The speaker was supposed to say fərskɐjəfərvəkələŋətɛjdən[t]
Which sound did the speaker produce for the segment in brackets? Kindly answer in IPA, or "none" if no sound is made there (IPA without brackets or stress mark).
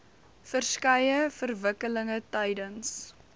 s